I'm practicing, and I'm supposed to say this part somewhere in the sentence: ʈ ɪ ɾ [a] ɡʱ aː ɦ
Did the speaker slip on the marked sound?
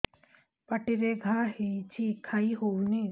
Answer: yes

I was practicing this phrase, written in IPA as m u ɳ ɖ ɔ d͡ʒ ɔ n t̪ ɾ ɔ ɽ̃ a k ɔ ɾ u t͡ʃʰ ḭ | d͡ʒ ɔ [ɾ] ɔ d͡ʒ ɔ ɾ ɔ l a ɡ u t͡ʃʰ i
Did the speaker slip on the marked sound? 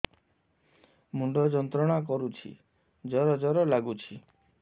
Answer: no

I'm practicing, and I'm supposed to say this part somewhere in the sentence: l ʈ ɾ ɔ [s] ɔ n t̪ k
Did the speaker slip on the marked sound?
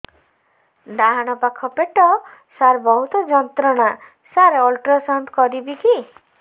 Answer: no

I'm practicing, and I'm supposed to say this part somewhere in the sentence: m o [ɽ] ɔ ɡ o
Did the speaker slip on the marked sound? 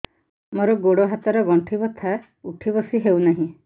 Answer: yes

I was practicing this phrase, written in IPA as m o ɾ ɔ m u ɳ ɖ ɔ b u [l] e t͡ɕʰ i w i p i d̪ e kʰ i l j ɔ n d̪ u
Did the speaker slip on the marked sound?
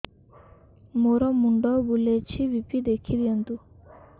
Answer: no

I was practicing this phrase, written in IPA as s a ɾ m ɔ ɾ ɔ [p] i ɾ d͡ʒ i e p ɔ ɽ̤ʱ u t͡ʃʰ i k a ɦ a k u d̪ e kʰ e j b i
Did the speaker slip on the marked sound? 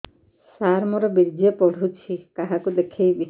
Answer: yes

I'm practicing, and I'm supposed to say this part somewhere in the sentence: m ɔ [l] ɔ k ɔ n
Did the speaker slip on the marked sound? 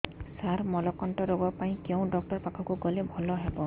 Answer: no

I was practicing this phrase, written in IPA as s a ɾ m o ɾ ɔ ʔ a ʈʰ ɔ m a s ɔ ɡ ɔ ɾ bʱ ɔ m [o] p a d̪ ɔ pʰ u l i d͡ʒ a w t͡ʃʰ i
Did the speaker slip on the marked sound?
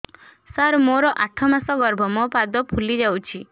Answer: yes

